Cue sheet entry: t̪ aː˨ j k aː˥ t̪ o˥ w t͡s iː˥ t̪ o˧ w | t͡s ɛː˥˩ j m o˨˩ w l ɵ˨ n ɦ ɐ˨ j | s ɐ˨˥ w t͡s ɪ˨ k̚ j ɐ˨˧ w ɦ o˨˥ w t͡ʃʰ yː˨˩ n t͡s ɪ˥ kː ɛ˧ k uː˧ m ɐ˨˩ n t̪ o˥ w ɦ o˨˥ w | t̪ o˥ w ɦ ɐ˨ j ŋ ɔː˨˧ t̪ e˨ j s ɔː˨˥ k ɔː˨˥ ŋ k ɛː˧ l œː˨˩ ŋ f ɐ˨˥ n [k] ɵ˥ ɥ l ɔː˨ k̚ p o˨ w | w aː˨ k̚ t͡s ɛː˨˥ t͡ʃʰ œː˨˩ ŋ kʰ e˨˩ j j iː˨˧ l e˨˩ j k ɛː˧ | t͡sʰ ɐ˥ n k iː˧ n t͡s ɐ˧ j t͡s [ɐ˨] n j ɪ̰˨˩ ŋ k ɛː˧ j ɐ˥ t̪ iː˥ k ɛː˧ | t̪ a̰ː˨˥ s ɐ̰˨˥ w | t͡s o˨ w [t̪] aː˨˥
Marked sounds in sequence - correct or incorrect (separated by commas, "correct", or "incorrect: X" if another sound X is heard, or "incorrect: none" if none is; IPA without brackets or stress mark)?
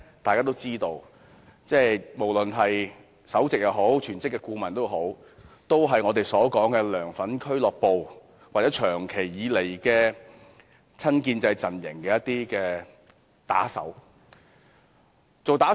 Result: incorrect: kʰ, correct, correct